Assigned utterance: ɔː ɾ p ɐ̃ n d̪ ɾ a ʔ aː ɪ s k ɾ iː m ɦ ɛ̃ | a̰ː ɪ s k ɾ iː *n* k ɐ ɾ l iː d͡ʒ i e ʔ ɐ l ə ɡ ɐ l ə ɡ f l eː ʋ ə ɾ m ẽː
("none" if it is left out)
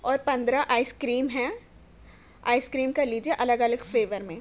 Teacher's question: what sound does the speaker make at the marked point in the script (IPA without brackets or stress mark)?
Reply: m